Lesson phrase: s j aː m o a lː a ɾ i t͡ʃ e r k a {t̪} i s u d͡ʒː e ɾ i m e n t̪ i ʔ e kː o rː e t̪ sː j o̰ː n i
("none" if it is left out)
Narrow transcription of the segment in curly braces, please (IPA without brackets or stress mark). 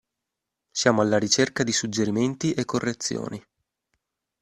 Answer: d̪